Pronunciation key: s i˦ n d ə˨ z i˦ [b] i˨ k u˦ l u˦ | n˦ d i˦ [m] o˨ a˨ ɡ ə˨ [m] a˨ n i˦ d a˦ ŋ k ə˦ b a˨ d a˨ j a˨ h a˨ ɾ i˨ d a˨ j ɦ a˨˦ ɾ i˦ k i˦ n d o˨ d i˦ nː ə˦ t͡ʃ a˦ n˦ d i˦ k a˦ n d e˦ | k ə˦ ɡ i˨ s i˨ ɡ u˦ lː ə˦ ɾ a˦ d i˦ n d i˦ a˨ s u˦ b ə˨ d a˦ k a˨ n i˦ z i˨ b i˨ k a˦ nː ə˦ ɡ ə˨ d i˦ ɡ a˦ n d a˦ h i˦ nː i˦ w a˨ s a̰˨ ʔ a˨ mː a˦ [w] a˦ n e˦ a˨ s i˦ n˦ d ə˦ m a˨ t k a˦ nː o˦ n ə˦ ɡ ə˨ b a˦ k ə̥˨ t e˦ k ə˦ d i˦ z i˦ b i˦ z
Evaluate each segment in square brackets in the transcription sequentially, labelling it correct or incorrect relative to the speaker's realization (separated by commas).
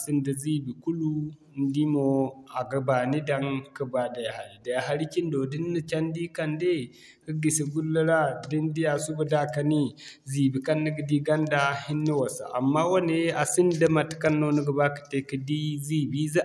correct, correct, incorrect, correct